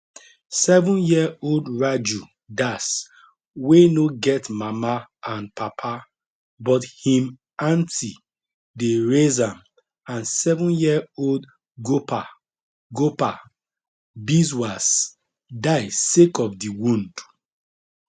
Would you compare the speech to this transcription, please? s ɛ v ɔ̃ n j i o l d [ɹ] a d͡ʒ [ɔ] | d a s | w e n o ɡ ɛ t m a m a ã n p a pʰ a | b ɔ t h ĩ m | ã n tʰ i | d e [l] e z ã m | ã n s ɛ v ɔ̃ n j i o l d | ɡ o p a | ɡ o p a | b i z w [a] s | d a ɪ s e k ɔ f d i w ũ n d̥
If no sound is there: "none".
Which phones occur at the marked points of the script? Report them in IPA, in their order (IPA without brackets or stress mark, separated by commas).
ɹ, u, ɹ, a